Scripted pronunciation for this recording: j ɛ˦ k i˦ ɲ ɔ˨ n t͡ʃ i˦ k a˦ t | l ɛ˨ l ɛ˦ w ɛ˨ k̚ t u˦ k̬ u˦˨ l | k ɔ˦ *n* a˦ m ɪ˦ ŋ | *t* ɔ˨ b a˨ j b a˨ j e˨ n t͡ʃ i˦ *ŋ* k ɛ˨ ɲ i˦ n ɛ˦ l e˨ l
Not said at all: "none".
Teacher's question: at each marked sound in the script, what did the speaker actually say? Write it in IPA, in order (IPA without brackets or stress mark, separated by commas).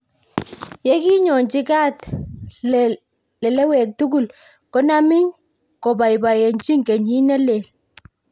n, k, ŋ